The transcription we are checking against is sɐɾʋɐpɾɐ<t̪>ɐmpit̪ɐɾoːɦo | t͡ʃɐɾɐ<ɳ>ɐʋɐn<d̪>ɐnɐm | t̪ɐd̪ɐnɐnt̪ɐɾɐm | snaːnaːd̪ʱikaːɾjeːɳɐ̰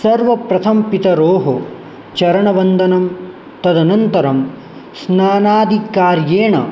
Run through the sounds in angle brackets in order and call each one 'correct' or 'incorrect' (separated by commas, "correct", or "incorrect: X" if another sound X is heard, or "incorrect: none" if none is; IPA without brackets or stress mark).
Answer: incorrect: t̪ʰ, correct, correct